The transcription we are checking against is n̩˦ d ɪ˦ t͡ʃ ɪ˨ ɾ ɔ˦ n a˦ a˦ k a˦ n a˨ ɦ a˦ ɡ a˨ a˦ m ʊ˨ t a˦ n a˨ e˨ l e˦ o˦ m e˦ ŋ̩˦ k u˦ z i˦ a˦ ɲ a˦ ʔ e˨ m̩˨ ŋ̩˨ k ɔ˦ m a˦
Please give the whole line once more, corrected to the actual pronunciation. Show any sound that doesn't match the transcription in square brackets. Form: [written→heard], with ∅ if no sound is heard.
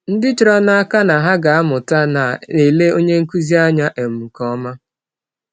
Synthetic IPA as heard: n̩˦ d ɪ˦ t͡ʃ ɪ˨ ɾ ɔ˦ n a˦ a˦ k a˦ n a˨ ɦ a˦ ɡ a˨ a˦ m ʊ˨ t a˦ n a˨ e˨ l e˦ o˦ [m→ɲ] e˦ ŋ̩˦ k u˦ z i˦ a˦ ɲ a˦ ʔ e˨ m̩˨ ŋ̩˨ k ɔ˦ m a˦